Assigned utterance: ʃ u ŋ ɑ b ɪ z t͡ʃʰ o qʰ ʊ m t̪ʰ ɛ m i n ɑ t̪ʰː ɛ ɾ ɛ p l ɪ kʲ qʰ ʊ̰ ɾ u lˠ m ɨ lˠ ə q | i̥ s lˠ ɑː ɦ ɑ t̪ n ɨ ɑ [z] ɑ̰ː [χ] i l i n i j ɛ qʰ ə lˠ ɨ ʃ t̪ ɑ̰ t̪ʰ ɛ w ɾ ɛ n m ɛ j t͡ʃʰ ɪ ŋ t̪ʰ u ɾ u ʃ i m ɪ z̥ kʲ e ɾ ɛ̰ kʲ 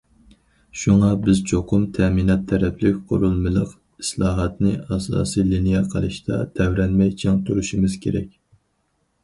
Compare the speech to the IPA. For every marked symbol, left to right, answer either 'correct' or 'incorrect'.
incorrect: s, incorrect: s

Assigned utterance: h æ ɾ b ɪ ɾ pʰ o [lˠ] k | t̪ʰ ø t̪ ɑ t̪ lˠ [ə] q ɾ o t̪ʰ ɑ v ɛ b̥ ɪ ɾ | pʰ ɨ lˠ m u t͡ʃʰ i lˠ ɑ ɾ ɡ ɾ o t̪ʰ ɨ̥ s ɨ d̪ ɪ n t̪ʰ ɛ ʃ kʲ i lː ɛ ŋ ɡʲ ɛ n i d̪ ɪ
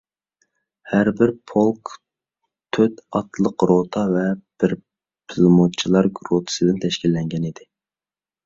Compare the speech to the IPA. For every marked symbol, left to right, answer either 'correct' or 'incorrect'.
correct, correct

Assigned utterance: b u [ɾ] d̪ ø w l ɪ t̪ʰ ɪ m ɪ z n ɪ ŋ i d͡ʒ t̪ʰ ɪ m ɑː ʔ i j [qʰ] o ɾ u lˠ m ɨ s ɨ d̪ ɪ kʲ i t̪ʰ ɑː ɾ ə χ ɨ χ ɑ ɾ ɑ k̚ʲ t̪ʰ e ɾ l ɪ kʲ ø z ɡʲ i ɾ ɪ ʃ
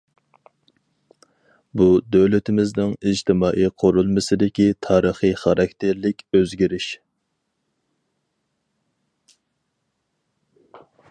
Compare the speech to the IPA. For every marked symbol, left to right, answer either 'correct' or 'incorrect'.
incorrect: none, correct

